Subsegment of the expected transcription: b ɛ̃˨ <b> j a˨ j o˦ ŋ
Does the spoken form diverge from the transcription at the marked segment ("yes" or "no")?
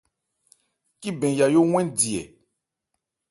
yes